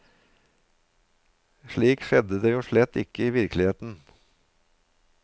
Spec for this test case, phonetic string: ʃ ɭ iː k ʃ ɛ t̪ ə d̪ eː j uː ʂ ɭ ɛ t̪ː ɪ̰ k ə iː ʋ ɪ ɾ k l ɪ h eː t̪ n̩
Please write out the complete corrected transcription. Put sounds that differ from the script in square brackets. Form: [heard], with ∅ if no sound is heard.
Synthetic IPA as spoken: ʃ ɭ iː k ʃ ɛ [d̪] ə d̪ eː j uː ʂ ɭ ɛ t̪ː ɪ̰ k ə iː ʋ ɪ ɾ k l ɪ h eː t̪ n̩